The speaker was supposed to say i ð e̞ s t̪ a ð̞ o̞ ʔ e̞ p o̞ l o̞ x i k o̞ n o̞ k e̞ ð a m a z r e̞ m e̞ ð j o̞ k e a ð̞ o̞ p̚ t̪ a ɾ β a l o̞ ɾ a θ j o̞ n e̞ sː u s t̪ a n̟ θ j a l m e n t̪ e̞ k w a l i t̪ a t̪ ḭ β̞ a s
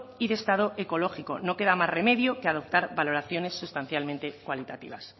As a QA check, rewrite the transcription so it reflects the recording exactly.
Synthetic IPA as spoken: i ð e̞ s t̪ a ð̞ o̞ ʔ e̞ k o̞ l o̞ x i k o̞ n o̞ k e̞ ð a m a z r e̞ m e̞ ð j o̞ k e a ð̞ o̞ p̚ t̪ a ɾ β a l o̞ ɾ a θ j o̞ n e̞ sː u s t̪ a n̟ θ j a l m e n t̪ e̞ k w a l i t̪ a t̪ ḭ β̞ a s